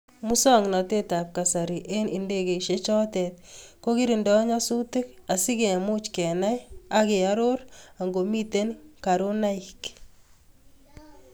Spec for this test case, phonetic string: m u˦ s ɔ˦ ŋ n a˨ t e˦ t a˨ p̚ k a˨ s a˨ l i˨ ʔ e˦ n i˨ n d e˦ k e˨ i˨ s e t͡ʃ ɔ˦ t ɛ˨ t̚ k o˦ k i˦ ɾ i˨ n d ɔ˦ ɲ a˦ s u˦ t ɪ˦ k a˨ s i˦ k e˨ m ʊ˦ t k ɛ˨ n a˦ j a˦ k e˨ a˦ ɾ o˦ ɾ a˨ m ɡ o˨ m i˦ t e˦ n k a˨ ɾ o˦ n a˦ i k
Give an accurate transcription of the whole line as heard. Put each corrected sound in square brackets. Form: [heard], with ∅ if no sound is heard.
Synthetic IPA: m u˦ s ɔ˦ ŋ n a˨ t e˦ t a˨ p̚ k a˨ s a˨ [ɾ] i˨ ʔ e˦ n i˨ n d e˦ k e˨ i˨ [ʃ] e t͡ʃ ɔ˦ t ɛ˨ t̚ k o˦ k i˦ ɾ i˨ n d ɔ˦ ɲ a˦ s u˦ t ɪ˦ k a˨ s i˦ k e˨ m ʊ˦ [t͡ʃ] k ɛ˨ n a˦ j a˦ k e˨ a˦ ɾ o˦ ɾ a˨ [ŋ] ɡ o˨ m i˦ t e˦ n k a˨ ɾ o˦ n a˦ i k